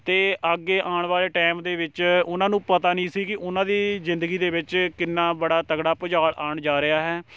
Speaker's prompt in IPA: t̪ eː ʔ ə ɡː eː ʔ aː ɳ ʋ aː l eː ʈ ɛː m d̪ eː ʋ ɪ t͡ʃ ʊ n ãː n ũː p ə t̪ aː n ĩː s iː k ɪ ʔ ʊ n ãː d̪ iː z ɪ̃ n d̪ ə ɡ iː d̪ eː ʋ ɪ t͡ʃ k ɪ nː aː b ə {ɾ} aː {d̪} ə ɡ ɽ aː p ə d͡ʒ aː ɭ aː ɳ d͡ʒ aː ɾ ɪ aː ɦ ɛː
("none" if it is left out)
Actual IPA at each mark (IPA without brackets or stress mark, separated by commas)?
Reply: ɽ, t̪